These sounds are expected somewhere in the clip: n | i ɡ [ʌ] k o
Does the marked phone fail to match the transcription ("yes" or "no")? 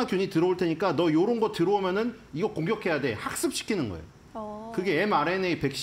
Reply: no